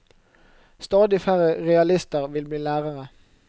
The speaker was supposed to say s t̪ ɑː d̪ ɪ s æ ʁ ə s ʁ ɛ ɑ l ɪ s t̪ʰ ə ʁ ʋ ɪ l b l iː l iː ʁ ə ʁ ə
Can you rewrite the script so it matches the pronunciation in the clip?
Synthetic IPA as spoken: s t̪ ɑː d̪ ɪ f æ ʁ ə ʁ ɛ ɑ l ɪ s t̪ ə ʁ ʋ ɪ l b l iː l æː ʁ ə ʁ ə